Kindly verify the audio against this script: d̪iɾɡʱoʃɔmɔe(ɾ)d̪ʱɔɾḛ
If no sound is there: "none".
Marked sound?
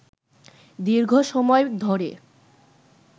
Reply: none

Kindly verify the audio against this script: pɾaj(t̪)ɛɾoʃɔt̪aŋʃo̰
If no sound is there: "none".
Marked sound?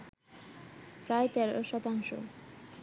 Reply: t̪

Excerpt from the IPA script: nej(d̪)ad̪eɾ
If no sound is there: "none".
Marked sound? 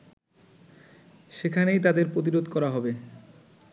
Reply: t̪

